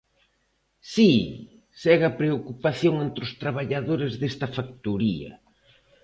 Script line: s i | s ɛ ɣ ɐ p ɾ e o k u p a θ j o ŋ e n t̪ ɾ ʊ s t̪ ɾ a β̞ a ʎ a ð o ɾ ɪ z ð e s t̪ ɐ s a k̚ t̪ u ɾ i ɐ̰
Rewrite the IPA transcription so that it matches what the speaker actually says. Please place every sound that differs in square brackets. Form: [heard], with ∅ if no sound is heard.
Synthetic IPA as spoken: s i | s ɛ ɣ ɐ p ɾ e o k u p a θ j o ŋ e n t̪ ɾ ʊ s t̪ ɾ a β̞ a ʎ a ð o ɾ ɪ z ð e s t̪ ɐ [f] a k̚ t̪ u ɾ i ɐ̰